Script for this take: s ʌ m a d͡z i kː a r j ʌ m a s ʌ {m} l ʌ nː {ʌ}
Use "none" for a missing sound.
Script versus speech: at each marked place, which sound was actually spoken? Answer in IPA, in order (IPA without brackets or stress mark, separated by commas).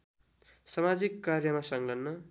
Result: ŋ, ʌ